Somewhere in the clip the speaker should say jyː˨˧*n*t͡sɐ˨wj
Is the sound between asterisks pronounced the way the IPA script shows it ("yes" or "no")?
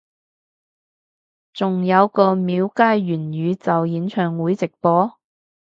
no